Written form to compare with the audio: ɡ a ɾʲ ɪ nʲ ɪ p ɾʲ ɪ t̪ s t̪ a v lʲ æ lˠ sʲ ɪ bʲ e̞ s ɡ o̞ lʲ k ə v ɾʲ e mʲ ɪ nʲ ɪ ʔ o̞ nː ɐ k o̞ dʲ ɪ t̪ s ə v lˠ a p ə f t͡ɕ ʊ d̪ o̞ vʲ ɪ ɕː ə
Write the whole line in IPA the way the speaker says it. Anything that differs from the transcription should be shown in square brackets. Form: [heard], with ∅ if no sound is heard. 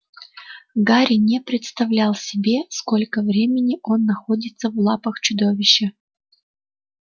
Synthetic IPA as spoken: ɡ a ɾʲ ɪ nʲ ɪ p ɾʲ ɪ t̪ s t̪ [ɐ] v lʲ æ lˠ sʲ ɪ bʲ e̞ s [k] o̞ lʲ k ə v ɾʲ e mʲ ɪ nʲ ɪ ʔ o̞ nː ɐ [x] o̞ dʲ ɪ t̪ s ə v lˠ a p ə [x] t͡ɕ ʊ d̪ o̞ vʲ ɪ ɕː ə